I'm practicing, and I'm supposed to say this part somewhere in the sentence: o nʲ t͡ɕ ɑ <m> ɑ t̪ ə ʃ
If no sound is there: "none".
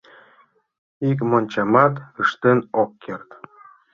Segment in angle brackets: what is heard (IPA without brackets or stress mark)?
m